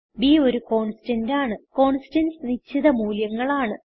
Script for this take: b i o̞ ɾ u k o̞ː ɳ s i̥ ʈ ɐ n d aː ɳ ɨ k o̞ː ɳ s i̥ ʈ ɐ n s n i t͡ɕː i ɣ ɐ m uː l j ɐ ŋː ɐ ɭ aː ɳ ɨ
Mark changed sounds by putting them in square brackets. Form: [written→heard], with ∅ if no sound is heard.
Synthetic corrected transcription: b i o̞ ɾ u k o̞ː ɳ s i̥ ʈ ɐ n d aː ɳ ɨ k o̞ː ɳ s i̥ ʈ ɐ n s n i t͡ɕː i [ɣ→ð] ɐ m uː l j ɐ ŋː ɐ ɭ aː ɳ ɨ